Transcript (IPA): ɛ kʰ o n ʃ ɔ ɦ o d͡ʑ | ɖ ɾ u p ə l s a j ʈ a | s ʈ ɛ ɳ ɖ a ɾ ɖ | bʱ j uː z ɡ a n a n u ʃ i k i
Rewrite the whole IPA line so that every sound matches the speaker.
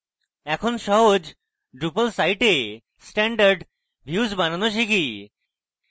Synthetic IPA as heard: ɛ kʰ o n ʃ ɔ ɦ o d͡ʑ | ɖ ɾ u p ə l s a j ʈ e | s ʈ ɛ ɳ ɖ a ɾ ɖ | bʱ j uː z b a n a n o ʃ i k i